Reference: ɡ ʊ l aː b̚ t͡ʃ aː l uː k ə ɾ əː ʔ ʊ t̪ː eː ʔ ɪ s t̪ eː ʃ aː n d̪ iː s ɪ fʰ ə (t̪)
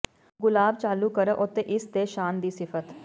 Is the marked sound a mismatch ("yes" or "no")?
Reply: no